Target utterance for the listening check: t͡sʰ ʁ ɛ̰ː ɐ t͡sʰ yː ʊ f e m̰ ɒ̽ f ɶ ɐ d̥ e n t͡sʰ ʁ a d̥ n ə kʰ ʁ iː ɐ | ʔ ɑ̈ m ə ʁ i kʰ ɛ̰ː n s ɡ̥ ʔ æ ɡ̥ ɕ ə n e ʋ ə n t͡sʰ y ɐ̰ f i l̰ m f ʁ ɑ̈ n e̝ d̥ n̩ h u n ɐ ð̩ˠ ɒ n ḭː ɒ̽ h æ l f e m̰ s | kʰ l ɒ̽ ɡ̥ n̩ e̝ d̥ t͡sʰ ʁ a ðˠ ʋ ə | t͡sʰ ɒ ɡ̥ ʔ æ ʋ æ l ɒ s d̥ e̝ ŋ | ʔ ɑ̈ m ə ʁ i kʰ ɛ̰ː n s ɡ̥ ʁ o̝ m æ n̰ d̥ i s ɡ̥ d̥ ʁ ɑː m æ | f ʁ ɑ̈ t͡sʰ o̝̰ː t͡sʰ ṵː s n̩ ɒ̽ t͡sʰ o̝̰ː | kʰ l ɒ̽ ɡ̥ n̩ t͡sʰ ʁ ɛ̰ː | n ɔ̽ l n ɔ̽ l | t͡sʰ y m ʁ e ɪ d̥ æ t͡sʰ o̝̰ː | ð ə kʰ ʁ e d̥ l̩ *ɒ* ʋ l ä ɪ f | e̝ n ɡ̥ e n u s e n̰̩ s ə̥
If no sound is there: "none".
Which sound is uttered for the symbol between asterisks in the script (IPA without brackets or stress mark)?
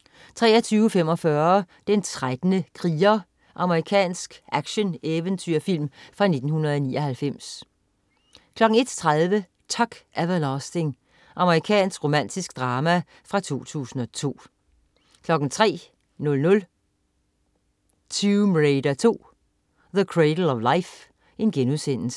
ɒ